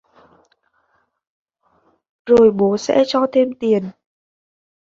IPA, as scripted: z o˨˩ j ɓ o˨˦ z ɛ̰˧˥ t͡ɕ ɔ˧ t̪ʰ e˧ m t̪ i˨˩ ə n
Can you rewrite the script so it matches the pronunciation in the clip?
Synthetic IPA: z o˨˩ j ɓ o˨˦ s ɛ̰˧˥ t͡ɕ ɔ˧ t̪ʰ e˧ m t̪ i˨˩ ə n